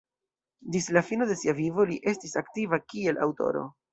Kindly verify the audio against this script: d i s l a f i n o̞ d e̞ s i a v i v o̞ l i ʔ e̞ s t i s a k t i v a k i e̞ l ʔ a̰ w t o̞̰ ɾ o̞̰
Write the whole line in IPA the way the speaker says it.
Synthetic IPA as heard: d i s l a f i n o̞ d e̞ s i a v i v o̞ l i ʔ e̞ s t i s a k t i v a k i e̞ l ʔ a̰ w t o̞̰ ɾ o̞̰

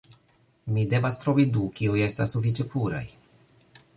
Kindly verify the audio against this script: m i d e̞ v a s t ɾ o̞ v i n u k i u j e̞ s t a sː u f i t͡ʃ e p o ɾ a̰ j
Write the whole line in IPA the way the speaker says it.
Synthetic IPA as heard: m i d e̞ v a s t ɾ o̞ v i d u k i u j e̞ s t a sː u f i t͡ʃ e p u ɾ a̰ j

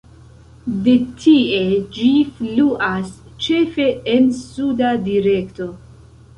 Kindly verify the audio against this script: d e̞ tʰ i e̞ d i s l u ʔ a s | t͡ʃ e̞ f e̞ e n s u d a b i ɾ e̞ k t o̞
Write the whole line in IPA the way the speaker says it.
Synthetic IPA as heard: d e̞ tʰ i e̞ d͡ʒ i f l u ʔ a s | t͡ʃ e̞ f e̞ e n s u d a d i ɾ e̞ k t o̞

